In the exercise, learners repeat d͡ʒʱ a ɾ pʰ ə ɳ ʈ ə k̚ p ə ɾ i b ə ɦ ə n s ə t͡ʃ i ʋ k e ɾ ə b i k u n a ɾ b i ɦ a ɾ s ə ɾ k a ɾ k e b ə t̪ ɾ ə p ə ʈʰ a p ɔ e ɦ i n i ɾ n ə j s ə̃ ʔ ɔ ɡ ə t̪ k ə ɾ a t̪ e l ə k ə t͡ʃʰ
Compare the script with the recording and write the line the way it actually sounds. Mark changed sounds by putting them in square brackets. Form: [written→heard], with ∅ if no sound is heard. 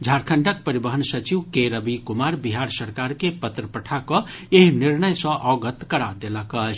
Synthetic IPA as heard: d͡ʒʱ a ɾ [pʰ→kʰ] ə ɳ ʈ ə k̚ p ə ɾ i b ə ɦ ə n s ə t͡ʃ i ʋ k e ɾ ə b i k u [n→m] a ɾ b i ɦ a ɾ s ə ɾ k a ɾ k e [b→p] ə t̪ ɾ ə p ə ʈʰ a [p→k] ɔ e ɦ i n i ɾ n ə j s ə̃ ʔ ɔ ɡ ə t̪ k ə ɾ a [t̪→d̪] e l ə k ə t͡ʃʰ